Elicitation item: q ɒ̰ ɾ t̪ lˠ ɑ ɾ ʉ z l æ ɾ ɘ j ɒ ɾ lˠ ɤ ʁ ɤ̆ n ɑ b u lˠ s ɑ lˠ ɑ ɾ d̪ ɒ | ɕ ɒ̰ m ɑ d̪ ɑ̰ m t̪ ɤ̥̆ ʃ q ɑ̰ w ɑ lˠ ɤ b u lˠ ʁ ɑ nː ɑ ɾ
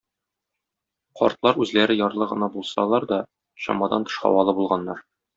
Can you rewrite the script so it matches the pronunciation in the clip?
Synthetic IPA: q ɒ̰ ɾ t̪ lˠ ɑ ɾ ʉ z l æ ɾ ɘ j ɒ ɾ lˠ ɤ ʁ ɤ̆ n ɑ b u lˠ s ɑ lˠ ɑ ɾ d̪ ɒ | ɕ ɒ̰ m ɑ d̪ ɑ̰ n t̪ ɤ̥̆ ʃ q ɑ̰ w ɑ lˠ ɤ b u lˠ ʁ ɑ nː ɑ ɾ

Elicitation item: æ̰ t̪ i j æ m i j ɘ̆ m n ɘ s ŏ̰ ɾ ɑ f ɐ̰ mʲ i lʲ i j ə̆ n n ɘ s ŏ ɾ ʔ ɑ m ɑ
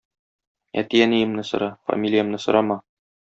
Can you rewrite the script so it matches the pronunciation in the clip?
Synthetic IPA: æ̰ t̪ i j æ n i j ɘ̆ m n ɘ s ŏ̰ ɾ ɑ f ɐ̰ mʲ i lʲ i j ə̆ m n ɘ s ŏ ɾ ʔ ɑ m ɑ

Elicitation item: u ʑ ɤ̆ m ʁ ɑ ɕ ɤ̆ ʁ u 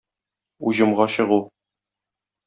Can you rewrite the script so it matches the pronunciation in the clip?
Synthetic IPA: u ʑ ɤ̆ m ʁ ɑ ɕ ɤ̆ ʁ u

